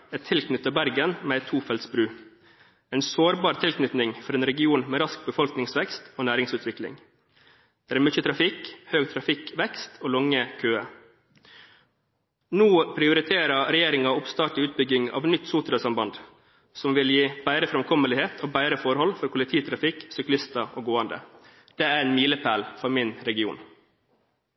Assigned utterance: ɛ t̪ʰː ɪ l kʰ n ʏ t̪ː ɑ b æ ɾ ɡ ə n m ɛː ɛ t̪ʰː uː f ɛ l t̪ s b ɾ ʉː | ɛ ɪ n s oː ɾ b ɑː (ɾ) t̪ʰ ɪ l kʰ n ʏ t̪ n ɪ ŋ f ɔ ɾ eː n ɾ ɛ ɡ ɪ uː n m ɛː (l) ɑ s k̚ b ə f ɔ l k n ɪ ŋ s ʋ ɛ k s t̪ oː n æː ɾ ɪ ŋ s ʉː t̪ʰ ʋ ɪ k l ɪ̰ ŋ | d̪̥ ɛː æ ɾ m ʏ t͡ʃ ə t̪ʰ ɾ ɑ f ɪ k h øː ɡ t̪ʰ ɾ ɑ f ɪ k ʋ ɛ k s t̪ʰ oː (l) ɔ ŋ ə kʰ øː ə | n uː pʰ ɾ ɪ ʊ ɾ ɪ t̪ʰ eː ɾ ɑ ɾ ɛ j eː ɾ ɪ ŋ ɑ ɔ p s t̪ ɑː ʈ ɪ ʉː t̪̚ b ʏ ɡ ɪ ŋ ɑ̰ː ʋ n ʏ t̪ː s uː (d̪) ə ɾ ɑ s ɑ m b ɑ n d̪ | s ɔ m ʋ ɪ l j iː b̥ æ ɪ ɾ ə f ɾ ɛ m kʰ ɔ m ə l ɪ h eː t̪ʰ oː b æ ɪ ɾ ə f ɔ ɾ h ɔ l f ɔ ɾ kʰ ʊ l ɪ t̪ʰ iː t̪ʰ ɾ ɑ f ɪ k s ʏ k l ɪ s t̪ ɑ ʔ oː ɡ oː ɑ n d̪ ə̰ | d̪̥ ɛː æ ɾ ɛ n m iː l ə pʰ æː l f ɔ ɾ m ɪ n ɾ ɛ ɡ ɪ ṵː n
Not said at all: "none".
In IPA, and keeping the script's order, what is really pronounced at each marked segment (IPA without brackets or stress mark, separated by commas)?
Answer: ɾ, ɾ, l, t̪